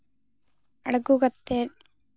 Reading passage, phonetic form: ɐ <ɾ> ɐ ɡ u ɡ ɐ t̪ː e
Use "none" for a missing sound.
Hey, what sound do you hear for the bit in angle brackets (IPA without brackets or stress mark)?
ɽ